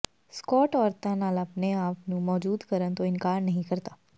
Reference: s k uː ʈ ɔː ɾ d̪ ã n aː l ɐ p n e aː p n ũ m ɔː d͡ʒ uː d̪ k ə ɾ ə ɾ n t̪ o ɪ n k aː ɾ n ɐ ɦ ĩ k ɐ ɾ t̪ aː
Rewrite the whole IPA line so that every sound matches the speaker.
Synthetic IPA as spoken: s k ɔː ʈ ɔː ɾ t̪ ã n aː l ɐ p n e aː p n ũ m ɔː d͡ʒ uː d̪ k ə ɾ ə n t̪ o ɪ n k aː ɾ n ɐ ɦ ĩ k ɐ ɾ t̪ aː

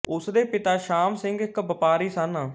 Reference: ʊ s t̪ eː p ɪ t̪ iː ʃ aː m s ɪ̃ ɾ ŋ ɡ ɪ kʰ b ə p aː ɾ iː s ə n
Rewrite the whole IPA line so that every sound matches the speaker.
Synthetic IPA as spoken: ʊ s d̪ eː p ɪ t̪ aː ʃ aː m s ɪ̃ ŋ ɡ ɪ k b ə p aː ɾ iː s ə n

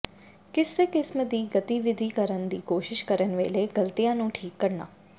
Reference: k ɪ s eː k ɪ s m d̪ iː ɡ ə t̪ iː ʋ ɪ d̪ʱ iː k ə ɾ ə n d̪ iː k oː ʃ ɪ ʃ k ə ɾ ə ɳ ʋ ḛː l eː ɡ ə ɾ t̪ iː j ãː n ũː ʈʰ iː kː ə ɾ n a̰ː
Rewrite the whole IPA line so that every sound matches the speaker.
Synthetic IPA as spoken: k ɪ s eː k ɪ s m d̪ iː ɡ ə t̪ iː ʋ ɪ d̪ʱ iː k ə ɾ ə n d̪ iː k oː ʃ ɪ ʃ k ə ɾ ə n ʋ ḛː l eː ɡ ə l t̪ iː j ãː n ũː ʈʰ iː kː ə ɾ n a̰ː

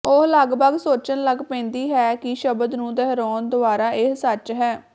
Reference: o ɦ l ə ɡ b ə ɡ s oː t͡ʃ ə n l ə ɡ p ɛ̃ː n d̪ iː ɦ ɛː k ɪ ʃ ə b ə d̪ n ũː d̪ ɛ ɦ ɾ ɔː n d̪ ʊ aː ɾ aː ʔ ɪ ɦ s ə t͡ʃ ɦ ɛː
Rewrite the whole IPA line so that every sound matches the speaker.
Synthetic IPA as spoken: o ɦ l ə ɡ b ə ɡ s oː t͡ʃ ə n l ə ɡ p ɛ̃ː n d̪ iː ɦ ɛː k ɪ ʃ ə b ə d̪ n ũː d̪ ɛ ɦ ɾ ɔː n d̪ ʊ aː ɾ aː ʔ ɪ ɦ s ə t͡ʃ ɦ ɛː

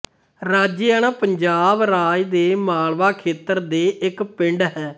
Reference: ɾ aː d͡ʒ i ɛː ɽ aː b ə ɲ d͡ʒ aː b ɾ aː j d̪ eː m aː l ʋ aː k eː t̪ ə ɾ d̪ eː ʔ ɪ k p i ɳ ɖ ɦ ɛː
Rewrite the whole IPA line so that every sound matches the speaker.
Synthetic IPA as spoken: ɾ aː d͡ʒ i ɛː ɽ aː p ə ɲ d͡ʒ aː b ɾ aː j d̪ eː m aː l ʋ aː kʰ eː t̪ ə ɾ d̪ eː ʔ ɪ k p ɪ ɳ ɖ ɦ ɛː

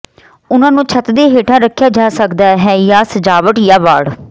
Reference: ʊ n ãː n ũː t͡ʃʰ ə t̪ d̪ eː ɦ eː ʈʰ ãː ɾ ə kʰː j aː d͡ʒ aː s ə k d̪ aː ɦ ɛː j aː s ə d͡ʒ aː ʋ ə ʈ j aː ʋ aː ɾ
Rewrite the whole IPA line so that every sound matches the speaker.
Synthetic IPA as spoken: ʊ n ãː n ũː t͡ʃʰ ə t̪ d̪ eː ɦ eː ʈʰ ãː ɾ ə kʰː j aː d͡ʒ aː s ə k d̪ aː ɦ ɛː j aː s ə d͡ʒ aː ʋ ə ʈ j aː ʋ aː ɽ

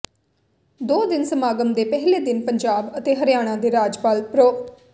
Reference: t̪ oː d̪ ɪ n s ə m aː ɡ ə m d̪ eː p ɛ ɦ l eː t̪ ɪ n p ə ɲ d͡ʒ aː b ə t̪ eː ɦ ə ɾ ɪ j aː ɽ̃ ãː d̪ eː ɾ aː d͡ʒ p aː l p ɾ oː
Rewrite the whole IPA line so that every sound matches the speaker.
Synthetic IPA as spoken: d̪ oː d̪ ɪ n s ə m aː ɡ ə m d̪ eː p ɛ ɦ l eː d̪ ɪ n p ə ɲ d͡ʒ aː b ə t̪ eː ɦ ə ɾ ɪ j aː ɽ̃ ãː d̪ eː ɾ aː d͡ʒ p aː l p ɾ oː

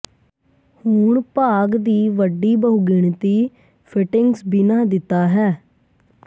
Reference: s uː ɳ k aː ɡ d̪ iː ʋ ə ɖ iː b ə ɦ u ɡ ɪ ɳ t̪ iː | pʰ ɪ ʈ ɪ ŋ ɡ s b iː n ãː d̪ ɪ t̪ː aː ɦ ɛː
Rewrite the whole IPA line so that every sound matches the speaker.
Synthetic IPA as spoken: h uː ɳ p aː ɡ d̪ iː ʋ ə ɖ iː b ə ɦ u ɡ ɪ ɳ t̪ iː | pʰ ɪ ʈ ɪ ŋ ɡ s b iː n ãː d̪ ɪ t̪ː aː ɦ ɛː

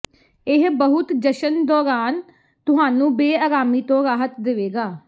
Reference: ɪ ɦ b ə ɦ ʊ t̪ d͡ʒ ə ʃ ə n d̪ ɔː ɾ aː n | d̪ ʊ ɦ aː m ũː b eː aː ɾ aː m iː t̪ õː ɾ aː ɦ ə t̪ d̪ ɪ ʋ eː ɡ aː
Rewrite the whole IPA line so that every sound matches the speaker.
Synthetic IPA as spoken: ɪ ɦ b ə ɦ ʊ t̪ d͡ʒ ə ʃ ə n d̪ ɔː ɾ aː n | t̪ ʊ ɦ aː n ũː b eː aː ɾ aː m iː t̪ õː ɾ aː ɦ ə t̪ d̪ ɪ ʋ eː ɡ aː

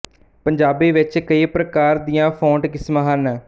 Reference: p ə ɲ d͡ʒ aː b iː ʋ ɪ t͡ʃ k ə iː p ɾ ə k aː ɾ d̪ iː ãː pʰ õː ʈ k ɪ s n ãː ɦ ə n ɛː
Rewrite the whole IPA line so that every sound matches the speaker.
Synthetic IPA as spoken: p ə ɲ d͡ʒ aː b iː ʋ ɪ t͡ʃ k ə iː p ɾ ə k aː ɾ d̪ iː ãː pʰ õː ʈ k ɪ s m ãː ɦ ə n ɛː

